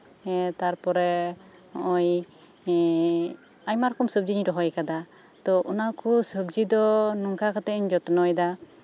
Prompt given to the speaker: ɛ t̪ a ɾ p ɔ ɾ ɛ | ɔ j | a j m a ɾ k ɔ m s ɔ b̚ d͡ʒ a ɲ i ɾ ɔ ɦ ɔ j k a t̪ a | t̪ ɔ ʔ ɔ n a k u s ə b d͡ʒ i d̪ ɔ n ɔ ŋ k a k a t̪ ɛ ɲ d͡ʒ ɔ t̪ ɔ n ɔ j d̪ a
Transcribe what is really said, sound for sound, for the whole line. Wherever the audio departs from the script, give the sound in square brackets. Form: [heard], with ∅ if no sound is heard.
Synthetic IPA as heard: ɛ t̪ a ɾ p ɔ ɾ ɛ | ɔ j | a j m a ɾ k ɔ m s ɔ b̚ d͡ʒ [i] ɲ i ɾ ɔ ɦ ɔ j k a [d̪] a | t̪ ɔ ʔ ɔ n a k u s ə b d͡ʒ i d̪ ɔ n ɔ ŋ k a k a t̪ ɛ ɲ d͡ʒ ɔ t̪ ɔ n ɔ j d̪ a